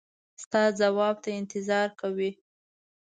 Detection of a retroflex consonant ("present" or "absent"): absent